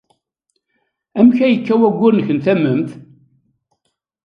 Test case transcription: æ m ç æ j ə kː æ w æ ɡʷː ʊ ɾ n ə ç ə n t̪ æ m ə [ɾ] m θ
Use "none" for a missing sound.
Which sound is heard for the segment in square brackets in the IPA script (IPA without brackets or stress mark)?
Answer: none